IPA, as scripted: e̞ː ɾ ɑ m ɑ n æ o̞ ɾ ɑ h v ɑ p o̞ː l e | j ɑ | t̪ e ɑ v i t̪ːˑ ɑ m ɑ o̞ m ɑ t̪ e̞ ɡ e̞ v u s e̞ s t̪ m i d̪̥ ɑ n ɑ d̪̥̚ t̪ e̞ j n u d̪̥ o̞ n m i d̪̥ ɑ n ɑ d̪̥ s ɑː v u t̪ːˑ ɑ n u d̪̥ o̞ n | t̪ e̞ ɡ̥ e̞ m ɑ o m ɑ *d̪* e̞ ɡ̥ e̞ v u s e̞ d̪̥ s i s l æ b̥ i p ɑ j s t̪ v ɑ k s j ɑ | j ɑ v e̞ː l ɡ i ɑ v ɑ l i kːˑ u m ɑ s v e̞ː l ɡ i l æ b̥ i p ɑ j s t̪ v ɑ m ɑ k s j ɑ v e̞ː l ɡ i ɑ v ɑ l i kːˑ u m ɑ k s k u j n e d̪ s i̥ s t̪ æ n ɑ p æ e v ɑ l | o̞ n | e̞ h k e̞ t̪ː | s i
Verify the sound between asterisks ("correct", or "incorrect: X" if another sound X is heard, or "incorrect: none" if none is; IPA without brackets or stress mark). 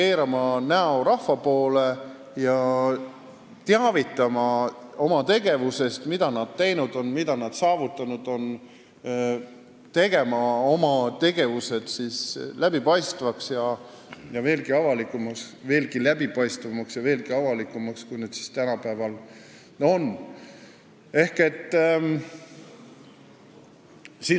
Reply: incorrect: t̪